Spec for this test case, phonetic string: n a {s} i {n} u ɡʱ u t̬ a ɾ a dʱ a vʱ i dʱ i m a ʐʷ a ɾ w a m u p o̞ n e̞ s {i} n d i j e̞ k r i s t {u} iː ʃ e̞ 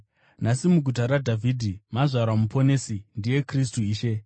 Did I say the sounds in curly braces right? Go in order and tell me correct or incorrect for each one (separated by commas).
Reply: correct, incorrect, correct, correct